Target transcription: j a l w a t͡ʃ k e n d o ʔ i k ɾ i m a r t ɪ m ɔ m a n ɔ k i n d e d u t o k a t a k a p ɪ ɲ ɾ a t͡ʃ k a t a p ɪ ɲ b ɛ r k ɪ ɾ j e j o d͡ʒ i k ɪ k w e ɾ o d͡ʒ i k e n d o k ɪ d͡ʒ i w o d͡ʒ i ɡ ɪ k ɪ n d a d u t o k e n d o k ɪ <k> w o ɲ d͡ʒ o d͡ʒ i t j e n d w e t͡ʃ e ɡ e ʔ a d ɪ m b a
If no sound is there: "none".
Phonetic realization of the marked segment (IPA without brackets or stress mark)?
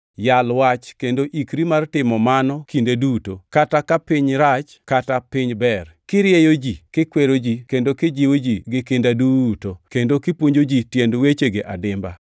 p